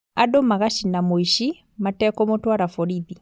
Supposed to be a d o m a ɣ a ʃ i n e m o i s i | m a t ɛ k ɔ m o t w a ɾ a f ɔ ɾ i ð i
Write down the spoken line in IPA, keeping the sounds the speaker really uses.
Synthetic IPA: a d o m a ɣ a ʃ i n a m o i ʃ i | m a t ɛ k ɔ m o t w a ɾ a f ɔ ɾ i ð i

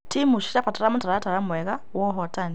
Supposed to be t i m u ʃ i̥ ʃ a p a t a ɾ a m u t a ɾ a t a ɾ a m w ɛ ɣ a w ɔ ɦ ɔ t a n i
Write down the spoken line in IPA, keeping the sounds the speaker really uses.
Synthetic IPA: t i m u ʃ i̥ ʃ a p a t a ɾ a m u t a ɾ a t a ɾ a m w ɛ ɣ a w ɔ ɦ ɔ t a n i

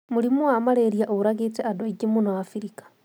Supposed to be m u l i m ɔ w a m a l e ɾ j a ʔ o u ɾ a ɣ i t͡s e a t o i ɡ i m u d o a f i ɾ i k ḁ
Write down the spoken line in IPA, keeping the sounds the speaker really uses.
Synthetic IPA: m u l i m u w a m a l e ɾ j a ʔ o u ɾ a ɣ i t͡s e a d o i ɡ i m u n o a f i ɾ i k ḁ

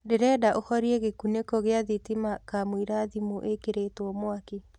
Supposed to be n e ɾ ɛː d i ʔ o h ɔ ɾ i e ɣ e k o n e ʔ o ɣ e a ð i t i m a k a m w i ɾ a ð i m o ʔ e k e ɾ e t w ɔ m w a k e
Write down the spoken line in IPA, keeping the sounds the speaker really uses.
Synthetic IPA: d e ɾ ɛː d a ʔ o h ɔ ɾ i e ɣ e k u n e k o ɣ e a ð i t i m a k a m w i ɾ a ð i m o ʔ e k e ɾ e t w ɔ m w a k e

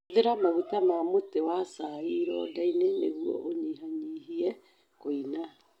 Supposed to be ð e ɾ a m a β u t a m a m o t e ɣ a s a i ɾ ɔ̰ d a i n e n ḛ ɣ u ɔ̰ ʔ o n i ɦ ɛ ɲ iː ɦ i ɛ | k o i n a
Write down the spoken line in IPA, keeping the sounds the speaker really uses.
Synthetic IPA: ð e ɾ a m a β u t a m a m o t e w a s a i ɾ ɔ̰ d a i n e n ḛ ɣ u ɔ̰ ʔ o ɲ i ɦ a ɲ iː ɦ i ɛ | k o i n a

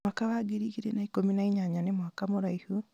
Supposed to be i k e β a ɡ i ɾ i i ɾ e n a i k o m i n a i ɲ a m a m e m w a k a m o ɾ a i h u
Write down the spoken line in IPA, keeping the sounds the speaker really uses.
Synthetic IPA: a k a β a ɡ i ɾ i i ɾ e n a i k o m i n a i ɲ a ɲ a n e m w a k a m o ɾ a i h u

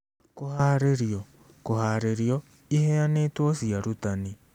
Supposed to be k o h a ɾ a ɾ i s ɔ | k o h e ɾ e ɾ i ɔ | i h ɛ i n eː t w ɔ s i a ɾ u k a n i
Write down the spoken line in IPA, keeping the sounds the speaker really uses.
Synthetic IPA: k o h a ɾ e ɾ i ɔ | k o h a ɾ e ɾ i ɔ | i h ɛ a n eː t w ɔ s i a ɾ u t a n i

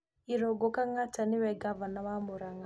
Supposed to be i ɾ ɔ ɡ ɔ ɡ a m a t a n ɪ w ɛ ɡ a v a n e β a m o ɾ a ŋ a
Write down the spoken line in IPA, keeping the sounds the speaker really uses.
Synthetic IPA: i ɾ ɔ ɡ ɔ k a ŋ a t a n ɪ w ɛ ɡ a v a n a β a m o ɾ a ŋ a

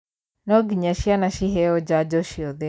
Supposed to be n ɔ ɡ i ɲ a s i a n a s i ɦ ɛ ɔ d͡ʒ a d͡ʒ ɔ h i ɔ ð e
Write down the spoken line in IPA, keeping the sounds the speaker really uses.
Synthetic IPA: n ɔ ɡ i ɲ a ʃ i a n a ʃ i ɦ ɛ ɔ d͡ʒ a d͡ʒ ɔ ʃ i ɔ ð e

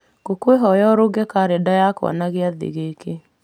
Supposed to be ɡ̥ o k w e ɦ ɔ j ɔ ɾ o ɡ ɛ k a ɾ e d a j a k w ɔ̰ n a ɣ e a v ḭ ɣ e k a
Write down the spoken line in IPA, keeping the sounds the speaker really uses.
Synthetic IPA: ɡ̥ o k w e ɦ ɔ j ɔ ɾ o ɡ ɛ k a ɾ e d a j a k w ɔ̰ n a ɣ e a ð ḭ ɣ e k e

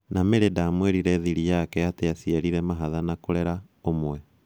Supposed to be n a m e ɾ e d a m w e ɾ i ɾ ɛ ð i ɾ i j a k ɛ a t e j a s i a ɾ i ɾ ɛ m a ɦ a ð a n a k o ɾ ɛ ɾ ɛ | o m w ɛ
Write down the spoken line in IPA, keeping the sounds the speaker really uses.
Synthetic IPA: n a m e ɾ e d a m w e ɾ i ɾ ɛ ð i ɾ i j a k ɛ a t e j a s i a ɾ i ɾ ɛ m a ɦ a ð a n a k o ɾ ɛ ɾ a | o m w ɛ

